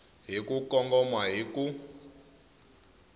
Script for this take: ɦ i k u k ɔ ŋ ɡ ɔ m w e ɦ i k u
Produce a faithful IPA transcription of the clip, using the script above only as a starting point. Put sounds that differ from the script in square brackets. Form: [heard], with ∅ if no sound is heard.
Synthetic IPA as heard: ɦ i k u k ɔ ŋ ɡ ɔ m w [a] ɦ i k u